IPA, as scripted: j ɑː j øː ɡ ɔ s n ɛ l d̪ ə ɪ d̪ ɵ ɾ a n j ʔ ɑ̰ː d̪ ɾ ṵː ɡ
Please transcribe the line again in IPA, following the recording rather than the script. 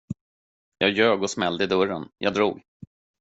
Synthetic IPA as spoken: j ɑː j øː ɡ ɔ s m ɛ l d̪ ə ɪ d̪ ɵ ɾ ə n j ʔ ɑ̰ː d̪ ɾ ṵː ɡ